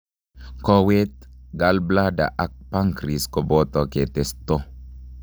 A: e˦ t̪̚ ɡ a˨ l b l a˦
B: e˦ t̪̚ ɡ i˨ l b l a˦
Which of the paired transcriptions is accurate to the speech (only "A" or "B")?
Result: A